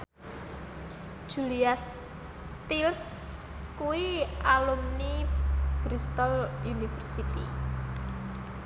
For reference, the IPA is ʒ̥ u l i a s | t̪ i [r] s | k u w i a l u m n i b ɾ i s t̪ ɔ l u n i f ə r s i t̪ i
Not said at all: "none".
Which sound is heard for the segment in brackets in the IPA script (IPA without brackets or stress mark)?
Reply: l